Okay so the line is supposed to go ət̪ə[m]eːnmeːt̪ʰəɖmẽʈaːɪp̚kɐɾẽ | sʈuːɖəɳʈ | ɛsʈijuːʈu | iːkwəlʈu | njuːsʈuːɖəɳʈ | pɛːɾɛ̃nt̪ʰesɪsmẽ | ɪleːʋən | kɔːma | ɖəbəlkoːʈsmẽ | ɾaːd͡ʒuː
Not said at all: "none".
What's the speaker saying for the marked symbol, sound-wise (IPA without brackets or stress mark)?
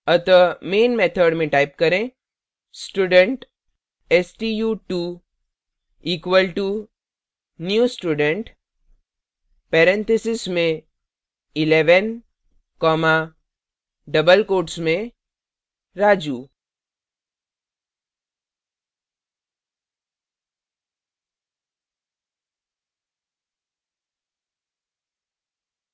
m